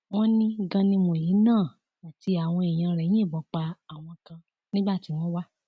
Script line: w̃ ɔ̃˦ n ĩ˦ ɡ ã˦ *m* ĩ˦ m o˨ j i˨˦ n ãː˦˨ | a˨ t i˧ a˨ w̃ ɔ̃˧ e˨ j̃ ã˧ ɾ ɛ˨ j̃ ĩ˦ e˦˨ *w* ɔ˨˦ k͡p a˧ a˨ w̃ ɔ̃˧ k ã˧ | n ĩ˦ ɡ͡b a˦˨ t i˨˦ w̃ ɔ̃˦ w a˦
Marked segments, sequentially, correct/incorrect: incorrect, incorrect

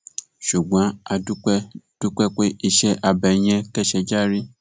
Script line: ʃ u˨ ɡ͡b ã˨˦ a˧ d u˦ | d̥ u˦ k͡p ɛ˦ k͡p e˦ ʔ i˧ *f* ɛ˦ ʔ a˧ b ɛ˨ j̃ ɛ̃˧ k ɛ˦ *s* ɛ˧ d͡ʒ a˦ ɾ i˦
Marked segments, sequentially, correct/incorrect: incorrect, incorrect

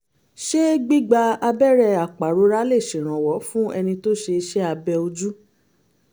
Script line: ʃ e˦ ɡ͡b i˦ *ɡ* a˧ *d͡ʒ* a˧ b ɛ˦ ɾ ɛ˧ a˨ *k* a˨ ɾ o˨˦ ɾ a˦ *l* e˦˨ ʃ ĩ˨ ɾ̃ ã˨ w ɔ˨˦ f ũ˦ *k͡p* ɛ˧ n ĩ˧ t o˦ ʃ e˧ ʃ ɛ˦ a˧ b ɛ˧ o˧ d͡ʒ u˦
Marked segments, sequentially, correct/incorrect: incorrect, incorrect, incorrect, correct, incorrect

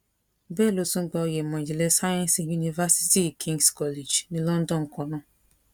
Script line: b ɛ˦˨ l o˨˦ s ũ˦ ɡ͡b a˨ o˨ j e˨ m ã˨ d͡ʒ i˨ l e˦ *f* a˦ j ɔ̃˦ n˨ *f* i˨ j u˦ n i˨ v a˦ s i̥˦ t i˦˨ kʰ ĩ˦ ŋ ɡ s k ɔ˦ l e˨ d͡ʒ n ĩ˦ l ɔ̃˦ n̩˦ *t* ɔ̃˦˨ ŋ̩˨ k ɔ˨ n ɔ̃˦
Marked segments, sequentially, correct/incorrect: incorrect, incorrect, incorrect

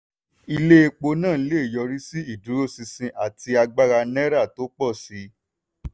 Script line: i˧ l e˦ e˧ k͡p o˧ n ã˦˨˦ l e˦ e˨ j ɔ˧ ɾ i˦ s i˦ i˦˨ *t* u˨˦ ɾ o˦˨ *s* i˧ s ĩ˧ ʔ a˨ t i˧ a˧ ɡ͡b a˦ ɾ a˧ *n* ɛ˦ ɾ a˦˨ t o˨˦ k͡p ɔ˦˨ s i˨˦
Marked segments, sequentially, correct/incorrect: incorrect, correct, correct

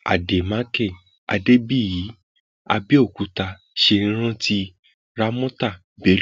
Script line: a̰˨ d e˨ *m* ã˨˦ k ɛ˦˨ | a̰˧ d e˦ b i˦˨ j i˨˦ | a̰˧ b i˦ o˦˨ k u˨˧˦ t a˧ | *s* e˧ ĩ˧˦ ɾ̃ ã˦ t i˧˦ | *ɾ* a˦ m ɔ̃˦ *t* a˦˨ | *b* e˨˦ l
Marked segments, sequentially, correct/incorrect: correct, incorrect, correct, correct, correct

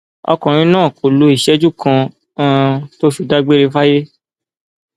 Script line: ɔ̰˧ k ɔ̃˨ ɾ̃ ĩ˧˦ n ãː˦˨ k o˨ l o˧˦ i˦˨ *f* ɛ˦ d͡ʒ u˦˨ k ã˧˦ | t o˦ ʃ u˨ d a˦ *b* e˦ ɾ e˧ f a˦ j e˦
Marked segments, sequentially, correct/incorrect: incorrect, incorrect

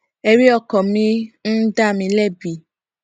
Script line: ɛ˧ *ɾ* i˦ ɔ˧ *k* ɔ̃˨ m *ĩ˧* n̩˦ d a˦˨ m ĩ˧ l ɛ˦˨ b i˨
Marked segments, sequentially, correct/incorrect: correct, correct, correct

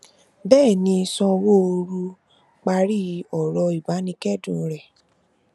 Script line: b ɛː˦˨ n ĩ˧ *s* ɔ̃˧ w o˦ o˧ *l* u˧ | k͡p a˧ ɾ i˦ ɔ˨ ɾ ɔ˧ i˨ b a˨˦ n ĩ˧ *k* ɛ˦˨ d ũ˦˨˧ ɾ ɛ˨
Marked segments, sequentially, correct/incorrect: correct, incorrect, correct

